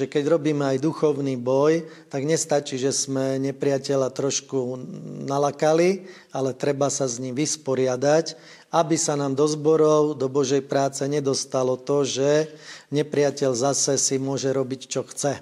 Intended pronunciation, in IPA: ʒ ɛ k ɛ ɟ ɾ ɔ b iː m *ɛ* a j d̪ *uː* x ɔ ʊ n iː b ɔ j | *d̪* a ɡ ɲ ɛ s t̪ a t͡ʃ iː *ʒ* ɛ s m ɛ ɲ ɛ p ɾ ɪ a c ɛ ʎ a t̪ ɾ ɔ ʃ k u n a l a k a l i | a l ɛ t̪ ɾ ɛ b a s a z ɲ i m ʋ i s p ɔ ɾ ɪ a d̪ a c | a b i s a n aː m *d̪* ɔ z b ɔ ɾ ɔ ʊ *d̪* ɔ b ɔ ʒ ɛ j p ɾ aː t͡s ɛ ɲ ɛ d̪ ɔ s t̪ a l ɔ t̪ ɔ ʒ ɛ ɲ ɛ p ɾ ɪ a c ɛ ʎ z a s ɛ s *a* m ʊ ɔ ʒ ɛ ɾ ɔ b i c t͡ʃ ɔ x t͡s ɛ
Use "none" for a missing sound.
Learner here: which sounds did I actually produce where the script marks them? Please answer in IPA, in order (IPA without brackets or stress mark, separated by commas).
ɛ, u, t̪, ʒ, d̪, d̪, i